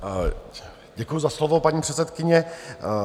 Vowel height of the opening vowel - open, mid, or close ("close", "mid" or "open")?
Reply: mid